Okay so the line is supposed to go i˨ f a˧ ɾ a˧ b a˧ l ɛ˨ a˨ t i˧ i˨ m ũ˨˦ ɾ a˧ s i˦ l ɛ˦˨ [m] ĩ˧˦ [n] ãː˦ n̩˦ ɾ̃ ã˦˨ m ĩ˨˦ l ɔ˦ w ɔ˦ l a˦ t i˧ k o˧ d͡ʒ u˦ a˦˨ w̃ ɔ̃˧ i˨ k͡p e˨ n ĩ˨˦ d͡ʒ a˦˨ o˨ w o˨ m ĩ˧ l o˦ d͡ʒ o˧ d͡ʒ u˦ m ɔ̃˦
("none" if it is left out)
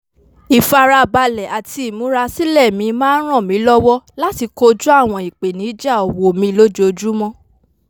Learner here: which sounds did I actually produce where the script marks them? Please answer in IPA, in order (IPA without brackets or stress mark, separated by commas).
m, m